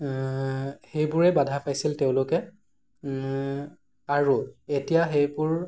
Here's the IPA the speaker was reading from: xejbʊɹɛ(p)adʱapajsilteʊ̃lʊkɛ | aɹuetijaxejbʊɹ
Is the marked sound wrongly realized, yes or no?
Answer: yes